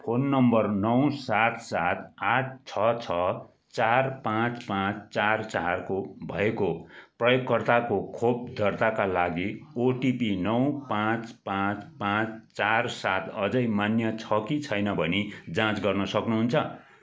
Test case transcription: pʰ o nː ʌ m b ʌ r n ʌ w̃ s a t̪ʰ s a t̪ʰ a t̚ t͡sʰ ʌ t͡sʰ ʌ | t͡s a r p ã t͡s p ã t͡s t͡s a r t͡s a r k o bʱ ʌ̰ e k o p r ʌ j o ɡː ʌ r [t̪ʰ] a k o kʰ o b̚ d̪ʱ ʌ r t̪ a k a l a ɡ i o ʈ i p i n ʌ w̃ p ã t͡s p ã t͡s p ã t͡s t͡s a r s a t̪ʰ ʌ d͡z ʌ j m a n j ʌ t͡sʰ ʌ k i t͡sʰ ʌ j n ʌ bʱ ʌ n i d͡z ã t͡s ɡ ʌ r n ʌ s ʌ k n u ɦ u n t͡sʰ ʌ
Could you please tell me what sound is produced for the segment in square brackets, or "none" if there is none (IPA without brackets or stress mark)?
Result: t̪